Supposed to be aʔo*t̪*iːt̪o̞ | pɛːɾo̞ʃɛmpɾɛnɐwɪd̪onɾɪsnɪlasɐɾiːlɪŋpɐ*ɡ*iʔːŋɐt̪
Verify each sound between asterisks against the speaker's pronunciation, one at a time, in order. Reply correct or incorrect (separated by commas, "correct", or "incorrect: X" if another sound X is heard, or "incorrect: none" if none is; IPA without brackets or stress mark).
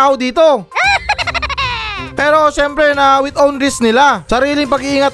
incorrect: d̪, correct